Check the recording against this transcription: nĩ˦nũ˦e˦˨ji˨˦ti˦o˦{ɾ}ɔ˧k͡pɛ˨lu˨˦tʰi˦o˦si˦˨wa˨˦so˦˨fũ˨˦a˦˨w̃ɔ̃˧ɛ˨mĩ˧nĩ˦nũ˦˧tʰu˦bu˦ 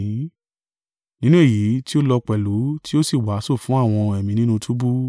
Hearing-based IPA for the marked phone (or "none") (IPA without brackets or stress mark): l